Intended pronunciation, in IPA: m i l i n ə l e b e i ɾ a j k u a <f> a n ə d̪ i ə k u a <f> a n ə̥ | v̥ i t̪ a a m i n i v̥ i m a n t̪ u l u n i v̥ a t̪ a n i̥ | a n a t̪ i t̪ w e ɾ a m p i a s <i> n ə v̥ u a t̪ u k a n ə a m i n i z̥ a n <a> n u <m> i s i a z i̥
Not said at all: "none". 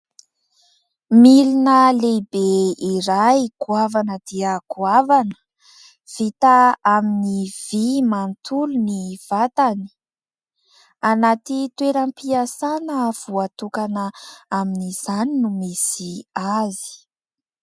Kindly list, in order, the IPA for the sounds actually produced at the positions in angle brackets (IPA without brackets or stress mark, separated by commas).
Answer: v, v, a, i, m